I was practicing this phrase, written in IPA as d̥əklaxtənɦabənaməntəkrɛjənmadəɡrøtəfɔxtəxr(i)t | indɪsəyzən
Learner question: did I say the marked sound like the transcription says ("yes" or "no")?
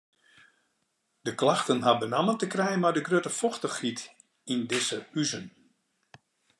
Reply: yes